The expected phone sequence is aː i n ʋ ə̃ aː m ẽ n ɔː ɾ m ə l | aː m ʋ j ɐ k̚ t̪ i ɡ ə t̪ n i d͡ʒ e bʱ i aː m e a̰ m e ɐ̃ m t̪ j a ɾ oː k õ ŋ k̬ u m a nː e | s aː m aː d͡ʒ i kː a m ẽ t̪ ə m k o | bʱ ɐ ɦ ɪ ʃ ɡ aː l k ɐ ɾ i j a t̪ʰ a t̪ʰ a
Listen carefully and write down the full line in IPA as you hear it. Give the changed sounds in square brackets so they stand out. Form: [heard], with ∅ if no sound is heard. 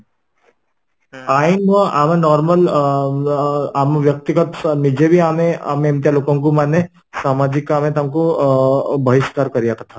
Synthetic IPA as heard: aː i n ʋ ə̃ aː m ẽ n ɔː ɾ m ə l | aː m ʋ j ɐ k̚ t̪ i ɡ ə t̪ n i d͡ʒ e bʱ i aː m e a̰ m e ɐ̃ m t̪ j a [l] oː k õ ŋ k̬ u m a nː e | s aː m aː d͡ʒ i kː a m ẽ t̪ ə m k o | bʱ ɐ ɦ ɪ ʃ [k] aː [ɾ] k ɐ ɾ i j a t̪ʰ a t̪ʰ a